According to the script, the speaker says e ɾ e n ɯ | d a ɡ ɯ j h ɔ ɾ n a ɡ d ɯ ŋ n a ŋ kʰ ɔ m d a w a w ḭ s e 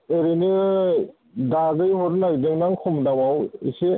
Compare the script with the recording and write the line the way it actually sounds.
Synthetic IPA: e ɾ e n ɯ | d a ɡ ɯ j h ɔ ɾ n a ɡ d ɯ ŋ n a ŋ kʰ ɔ m d a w a w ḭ s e